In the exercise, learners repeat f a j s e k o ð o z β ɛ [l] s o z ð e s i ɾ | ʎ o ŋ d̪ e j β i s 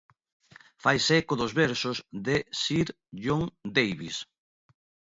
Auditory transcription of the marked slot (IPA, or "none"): ɾ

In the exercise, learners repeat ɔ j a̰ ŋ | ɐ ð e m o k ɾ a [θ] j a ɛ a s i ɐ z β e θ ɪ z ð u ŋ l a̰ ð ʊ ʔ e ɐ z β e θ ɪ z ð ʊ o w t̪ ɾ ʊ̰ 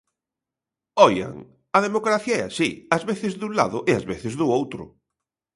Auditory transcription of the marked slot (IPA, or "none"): θ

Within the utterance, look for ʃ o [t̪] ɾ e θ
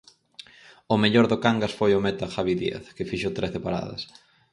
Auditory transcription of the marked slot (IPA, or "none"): t̪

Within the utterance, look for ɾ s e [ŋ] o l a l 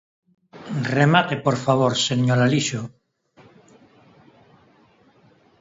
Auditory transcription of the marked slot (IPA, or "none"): ɲ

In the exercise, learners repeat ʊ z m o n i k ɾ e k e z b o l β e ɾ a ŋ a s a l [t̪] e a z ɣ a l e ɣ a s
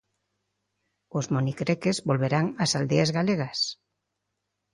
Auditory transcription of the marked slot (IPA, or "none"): d̪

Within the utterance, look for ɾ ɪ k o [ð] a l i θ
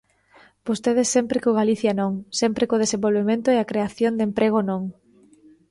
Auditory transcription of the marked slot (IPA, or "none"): ɣ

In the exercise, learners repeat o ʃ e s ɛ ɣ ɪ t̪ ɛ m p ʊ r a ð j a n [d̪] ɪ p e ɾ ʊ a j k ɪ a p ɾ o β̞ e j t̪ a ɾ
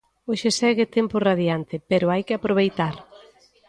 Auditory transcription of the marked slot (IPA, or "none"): t̪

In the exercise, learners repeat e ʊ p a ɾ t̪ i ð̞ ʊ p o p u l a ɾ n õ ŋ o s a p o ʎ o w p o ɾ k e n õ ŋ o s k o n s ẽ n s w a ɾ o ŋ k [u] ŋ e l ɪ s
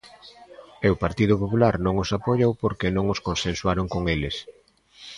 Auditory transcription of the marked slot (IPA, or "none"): o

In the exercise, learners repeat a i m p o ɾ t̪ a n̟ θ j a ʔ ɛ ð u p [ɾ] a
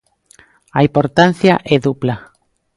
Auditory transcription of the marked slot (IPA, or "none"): l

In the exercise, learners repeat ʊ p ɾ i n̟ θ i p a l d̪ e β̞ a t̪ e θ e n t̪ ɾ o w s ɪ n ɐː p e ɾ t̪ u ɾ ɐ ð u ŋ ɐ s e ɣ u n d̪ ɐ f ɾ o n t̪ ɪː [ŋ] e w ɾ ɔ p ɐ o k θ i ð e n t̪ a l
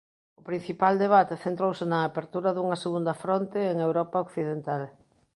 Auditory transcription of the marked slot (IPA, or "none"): ŋ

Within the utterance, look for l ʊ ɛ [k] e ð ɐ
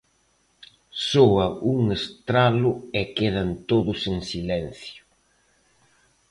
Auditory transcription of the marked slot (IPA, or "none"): k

